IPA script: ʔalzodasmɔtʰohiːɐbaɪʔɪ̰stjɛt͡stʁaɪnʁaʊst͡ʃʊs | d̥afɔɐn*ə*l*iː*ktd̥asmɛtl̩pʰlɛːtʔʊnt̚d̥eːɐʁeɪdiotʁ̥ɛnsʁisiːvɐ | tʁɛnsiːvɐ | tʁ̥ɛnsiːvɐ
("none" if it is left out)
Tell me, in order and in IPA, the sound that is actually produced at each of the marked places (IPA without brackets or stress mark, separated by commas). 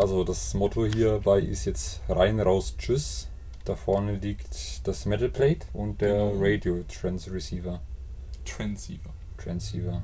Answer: ə, iː